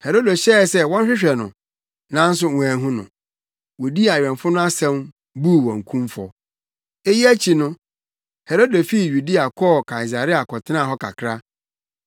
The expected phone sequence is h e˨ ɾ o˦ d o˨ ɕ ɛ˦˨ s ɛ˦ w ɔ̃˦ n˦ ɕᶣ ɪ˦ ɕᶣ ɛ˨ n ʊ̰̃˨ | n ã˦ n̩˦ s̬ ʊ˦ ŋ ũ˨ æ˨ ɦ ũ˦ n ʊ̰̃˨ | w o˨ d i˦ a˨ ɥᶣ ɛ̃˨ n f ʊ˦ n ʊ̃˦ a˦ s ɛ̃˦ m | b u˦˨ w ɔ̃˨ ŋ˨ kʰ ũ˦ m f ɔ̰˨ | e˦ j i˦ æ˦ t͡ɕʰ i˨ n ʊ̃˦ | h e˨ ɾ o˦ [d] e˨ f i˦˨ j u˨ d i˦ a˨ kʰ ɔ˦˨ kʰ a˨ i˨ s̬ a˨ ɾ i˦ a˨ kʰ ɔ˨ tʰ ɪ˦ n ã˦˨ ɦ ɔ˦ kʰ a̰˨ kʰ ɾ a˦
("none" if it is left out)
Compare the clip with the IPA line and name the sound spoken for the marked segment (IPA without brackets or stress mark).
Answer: d